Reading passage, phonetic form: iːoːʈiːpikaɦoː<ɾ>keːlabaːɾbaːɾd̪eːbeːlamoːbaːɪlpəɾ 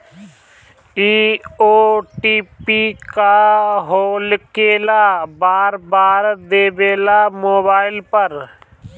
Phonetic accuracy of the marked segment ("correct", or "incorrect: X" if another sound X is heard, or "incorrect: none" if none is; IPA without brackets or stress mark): incorrect: l